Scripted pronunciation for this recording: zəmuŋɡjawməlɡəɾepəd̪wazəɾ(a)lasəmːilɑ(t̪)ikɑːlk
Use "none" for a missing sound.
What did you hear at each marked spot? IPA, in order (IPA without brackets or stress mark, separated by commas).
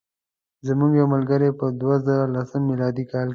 a, d̪